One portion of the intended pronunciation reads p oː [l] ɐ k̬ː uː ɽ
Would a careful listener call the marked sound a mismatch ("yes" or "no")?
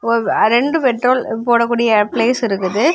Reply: yes